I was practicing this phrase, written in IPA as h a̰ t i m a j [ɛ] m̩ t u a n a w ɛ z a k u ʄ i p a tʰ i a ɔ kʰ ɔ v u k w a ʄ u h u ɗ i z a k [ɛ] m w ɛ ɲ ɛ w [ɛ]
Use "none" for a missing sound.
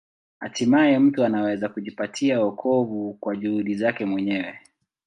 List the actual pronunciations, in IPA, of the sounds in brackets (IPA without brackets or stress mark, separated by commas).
ɛ, ɛ, ɛ